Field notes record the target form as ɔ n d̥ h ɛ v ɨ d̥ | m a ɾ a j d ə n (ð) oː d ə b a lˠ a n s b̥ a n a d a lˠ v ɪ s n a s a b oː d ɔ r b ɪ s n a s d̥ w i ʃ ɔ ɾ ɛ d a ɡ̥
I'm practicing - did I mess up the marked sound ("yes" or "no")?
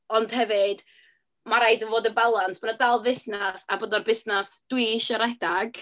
yes